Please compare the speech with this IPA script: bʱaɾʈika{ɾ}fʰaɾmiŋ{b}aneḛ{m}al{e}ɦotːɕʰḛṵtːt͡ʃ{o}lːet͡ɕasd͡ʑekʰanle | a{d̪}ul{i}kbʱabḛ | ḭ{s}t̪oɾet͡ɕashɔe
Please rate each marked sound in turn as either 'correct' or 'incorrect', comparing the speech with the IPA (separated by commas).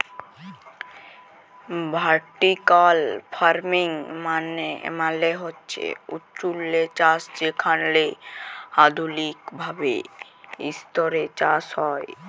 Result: incorrect, incorrect, correct, correct, incorrect, correct, correct, correct